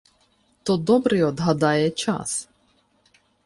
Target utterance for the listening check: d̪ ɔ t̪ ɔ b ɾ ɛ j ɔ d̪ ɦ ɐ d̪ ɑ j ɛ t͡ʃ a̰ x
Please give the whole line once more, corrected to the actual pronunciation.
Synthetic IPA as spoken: t̪ ɔ d̪ ɔ b ɾ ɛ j ɔ d̪ ɦ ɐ d̪ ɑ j ɛ t͡ʃ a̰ s